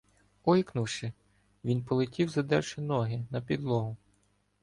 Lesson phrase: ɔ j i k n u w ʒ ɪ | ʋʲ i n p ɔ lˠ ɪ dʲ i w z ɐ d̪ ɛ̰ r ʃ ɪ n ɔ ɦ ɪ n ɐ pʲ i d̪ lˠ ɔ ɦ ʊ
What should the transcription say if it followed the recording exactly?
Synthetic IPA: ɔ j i k n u w ʃ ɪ | ʋʲ i n p ɔ lˠ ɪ tʲ i w z ɐ d̪ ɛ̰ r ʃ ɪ n ɔ ɦ ɪ n ɐ pʲ i d̪ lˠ ɔ ɦ ʊ